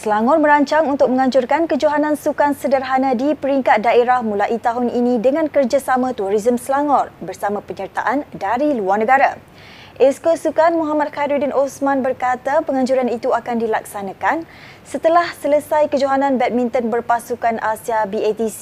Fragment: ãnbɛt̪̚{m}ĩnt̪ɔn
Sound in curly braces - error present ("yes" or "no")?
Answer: no